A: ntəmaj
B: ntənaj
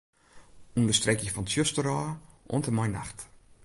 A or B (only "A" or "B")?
A